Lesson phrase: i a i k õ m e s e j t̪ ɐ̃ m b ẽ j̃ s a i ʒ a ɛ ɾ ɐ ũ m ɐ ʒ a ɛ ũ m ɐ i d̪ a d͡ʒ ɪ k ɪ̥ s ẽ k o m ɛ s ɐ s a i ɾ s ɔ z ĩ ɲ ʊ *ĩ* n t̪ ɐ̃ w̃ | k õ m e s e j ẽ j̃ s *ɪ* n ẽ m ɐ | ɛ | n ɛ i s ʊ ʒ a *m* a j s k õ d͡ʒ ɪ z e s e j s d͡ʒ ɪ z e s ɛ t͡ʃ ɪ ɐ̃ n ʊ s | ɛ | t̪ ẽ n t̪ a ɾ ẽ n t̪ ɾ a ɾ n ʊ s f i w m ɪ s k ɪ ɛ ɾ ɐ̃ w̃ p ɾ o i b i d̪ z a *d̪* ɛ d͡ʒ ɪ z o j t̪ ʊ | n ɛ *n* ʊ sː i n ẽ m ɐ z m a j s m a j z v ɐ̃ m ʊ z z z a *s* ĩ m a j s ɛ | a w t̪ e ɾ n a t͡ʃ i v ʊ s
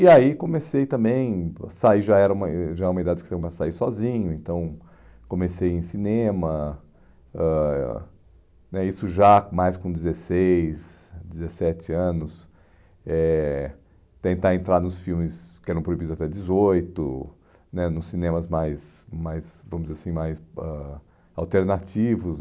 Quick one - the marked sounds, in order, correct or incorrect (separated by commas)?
incorrect, incorrect, correct, incorrect, correct, correct